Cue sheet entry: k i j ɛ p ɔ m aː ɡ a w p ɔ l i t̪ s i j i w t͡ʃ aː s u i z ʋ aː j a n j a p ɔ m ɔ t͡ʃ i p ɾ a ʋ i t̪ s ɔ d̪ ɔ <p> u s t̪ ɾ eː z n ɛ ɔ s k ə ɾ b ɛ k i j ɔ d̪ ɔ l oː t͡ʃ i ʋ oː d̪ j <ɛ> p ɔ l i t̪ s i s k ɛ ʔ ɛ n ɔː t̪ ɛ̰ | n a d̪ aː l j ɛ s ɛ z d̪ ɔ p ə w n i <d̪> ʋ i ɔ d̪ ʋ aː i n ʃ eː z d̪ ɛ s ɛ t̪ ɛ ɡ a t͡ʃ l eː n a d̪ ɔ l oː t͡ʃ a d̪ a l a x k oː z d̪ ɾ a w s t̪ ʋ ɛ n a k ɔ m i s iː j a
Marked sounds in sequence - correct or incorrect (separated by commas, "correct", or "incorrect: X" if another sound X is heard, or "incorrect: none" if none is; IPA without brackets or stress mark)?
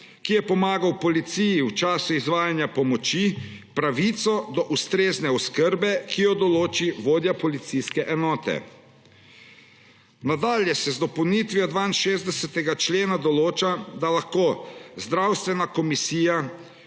incorrect: ʔ, incorrect: a, incorrect: t̪